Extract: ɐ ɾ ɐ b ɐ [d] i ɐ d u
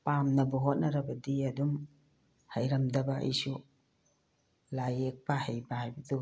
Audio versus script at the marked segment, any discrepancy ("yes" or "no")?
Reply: no